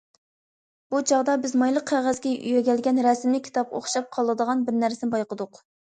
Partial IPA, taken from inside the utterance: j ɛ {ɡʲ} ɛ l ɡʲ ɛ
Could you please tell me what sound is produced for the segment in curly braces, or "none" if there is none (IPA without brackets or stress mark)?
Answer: ɡʲ